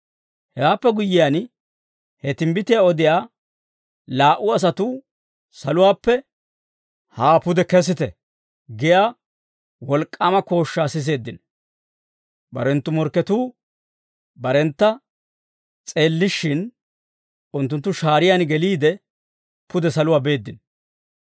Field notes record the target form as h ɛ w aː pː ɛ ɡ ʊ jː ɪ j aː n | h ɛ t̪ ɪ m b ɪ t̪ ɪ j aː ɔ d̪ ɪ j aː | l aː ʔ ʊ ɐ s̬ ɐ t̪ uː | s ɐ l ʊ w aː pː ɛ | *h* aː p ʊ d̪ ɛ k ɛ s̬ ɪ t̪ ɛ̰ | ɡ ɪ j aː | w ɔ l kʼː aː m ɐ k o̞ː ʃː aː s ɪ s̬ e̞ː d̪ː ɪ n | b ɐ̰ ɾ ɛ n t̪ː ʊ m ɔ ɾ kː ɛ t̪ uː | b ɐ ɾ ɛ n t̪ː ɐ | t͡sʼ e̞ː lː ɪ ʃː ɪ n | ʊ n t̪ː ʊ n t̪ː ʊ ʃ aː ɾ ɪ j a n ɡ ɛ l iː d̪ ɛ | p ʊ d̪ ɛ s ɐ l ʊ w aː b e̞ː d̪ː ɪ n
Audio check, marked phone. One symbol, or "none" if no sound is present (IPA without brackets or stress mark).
h